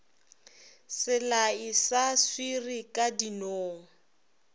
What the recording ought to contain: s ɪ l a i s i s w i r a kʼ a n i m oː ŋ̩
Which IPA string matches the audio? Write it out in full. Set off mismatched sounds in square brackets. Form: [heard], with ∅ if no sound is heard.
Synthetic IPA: s ɪ l a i s [a] s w i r [i] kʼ a [d] i [n] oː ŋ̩